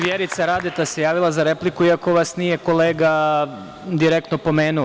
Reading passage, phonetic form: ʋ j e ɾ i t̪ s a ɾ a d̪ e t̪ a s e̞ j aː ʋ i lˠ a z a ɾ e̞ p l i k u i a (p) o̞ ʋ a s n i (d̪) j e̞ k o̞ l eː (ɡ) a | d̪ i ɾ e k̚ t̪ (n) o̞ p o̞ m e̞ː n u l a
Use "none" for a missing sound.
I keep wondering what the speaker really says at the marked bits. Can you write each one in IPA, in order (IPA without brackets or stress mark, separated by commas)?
k, none, ɡ, n